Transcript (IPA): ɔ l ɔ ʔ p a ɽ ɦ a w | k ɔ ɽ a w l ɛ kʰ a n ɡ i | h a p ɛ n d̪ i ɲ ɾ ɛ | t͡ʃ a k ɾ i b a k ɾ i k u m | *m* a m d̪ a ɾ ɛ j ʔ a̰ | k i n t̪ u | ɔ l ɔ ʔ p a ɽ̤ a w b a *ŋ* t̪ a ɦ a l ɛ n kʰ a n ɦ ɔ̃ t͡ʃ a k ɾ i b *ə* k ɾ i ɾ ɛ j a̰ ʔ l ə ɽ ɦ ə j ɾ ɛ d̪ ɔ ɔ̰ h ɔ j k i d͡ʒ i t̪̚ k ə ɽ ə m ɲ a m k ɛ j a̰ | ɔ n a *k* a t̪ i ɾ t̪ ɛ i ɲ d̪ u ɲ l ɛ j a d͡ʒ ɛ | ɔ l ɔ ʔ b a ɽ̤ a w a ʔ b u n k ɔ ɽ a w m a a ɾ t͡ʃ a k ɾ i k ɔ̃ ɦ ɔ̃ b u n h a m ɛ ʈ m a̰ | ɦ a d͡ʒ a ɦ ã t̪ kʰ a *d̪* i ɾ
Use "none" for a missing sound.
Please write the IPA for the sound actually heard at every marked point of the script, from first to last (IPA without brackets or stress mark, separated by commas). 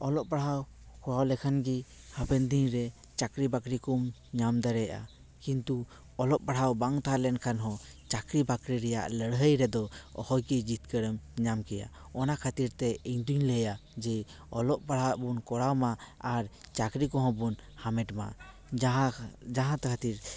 ɲ, ŋ, a, kʰ, t̪